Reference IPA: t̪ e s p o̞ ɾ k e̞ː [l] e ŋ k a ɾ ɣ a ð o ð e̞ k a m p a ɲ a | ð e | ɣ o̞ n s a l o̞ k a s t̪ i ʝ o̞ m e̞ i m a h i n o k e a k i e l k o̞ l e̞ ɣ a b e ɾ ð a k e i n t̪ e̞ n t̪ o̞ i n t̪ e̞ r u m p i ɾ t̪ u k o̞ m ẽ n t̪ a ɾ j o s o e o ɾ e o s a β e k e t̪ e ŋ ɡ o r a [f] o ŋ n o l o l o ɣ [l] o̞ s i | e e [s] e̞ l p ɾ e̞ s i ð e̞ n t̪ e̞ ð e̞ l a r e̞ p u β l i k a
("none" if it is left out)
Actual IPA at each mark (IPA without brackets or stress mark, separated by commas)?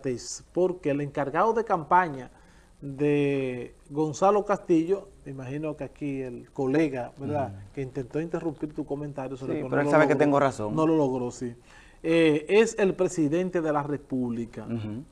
l, s, ɾ, s